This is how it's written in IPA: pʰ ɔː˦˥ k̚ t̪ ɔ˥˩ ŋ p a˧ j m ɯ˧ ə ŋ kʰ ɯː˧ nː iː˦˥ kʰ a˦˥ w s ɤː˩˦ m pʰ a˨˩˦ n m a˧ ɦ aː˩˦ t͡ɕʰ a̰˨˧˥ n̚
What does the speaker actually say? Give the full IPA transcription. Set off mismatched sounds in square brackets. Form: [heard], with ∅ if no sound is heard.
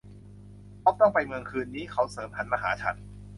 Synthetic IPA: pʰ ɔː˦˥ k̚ t̪ ɔ˥˩ ŋ p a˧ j m ɯ˧ ə ŋ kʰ ɯː˧ nː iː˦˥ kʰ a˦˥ w s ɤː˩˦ m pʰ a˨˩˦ n m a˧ ɦ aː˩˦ t͡ɕʰ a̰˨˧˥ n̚